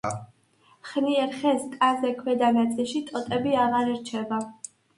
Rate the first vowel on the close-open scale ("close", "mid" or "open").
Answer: close